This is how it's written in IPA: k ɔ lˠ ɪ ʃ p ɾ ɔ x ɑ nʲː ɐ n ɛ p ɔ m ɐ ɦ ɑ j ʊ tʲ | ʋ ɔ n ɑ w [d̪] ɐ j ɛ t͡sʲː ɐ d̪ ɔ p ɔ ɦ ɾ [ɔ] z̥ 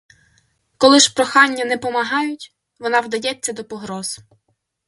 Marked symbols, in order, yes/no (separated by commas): yes, yes